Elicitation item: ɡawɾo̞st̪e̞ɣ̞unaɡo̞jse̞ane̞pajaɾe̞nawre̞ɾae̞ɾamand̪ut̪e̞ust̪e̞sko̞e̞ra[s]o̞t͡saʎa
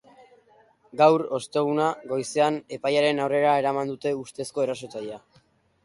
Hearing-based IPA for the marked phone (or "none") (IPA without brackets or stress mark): s